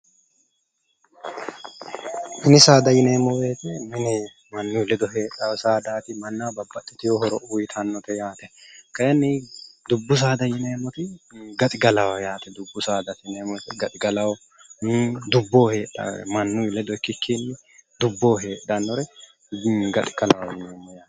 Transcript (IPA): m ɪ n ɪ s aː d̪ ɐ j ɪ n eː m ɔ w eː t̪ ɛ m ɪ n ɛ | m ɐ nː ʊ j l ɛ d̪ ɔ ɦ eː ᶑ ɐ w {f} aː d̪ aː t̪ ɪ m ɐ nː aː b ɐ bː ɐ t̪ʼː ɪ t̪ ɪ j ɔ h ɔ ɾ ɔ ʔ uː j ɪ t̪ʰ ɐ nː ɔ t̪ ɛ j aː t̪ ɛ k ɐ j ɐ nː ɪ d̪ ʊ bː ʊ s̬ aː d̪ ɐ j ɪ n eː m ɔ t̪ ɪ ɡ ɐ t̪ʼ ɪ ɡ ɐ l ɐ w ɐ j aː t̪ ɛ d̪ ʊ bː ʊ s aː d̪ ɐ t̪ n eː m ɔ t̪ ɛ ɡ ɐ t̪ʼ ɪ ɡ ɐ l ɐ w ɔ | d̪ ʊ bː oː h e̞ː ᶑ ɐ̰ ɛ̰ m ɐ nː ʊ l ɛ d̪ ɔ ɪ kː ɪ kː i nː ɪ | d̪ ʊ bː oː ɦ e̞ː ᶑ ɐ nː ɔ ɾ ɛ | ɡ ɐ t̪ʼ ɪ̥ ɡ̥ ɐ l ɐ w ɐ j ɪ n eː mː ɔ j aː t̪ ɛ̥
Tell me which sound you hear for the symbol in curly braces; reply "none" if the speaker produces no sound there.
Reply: s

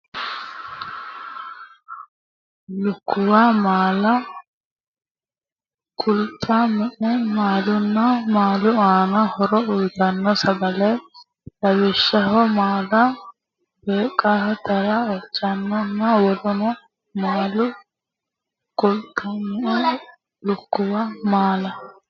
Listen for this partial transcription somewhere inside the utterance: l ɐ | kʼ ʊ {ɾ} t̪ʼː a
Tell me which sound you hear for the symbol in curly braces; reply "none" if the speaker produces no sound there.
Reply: l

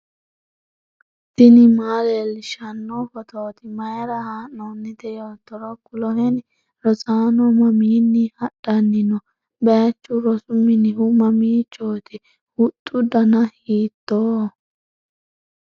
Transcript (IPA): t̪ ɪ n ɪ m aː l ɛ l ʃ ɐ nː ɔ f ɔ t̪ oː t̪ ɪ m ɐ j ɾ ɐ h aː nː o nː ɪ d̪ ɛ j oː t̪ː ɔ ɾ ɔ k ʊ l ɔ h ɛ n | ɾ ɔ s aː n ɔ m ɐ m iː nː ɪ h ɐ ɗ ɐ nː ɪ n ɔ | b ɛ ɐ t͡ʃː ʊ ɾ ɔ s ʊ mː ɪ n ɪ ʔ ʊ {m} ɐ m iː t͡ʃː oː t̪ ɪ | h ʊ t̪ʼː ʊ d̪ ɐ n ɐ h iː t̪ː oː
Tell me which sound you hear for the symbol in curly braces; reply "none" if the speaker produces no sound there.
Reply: m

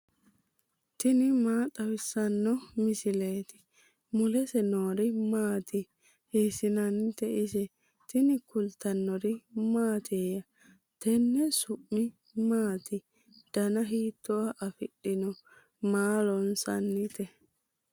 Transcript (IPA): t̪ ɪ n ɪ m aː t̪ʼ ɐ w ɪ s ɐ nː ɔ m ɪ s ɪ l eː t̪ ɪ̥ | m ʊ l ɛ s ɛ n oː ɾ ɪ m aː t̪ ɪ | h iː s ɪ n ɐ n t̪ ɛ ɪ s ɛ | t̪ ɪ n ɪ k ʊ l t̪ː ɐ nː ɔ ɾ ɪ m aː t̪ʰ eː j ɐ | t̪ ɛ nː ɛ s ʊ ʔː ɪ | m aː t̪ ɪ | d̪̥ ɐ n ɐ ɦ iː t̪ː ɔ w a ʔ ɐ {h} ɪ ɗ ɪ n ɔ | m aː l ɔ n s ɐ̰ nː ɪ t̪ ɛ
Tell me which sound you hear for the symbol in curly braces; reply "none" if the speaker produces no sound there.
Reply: f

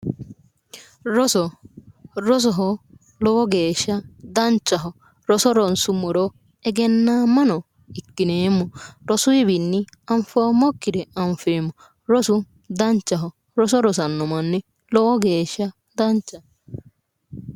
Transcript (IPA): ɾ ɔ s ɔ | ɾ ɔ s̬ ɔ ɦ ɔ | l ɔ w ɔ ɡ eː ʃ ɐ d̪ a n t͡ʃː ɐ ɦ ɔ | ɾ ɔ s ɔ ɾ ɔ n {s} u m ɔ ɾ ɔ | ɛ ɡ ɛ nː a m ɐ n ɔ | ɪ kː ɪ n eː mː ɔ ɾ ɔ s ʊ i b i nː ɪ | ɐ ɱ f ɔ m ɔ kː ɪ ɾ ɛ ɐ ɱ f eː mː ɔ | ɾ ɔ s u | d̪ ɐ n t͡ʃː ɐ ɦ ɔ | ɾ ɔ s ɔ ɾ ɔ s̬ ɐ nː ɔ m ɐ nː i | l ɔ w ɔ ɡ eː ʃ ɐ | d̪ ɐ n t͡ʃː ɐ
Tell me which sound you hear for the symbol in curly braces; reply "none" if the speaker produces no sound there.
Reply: s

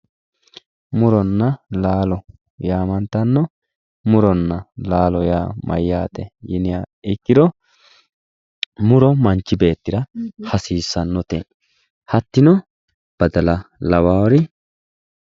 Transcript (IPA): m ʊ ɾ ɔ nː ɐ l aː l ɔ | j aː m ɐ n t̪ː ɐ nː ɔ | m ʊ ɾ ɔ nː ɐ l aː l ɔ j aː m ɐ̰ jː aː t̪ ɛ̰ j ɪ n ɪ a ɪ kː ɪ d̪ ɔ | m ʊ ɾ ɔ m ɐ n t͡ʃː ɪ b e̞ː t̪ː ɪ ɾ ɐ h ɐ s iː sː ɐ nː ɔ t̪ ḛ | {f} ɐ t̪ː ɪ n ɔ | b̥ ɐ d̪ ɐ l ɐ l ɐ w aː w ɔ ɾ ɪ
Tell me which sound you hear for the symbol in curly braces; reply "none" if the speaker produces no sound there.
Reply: h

